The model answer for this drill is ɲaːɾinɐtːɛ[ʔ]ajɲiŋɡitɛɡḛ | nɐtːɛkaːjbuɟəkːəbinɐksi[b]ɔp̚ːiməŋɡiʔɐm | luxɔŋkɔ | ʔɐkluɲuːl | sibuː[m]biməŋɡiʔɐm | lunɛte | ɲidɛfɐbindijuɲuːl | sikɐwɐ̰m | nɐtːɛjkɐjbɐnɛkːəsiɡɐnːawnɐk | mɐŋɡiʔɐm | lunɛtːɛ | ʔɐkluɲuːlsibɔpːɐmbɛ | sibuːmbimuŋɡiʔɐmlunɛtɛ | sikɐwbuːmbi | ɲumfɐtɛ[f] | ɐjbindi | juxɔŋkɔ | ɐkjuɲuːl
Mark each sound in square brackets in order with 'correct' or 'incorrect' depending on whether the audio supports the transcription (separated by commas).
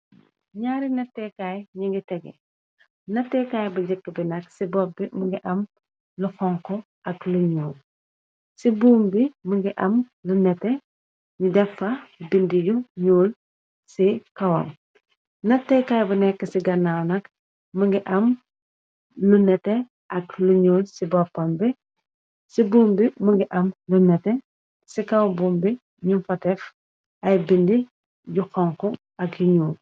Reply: incorrect, correct, correct, correct